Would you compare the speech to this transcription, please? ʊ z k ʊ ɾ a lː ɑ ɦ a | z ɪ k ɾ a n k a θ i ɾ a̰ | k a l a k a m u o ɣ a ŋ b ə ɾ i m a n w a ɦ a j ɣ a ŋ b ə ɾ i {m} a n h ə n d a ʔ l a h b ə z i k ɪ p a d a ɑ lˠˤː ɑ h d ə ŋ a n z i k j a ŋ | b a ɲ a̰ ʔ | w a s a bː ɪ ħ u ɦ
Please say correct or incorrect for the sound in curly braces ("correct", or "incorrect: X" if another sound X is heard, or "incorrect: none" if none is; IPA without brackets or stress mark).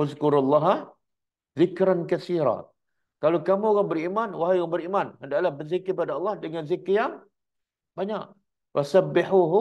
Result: correct